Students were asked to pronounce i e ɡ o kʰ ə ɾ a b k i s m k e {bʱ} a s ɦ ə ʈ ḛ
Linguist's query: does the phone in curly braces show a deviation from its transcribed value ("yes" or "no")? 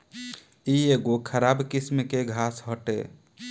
yes